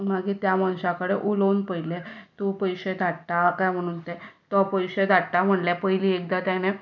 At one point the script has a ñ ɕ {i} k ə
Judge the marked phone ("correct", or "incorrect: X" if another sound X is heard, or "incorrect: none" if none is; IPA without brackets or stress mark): incorrect: a